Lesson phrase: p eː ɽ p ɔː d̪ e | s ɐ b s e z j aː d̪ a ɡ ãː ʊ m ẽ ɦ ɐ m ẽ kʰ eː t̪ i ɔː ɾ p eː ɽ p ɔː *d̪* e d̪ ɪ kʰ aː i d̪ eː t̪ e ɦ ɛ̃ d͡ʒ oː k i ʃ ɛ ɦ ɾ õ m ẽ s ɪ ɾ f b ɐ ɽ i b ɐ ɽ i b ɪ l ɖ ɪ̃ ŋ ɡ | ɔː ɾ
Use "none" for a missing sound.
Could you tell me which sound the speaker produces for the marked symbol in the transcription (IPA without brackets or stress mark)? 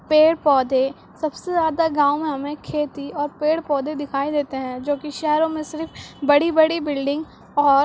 d̪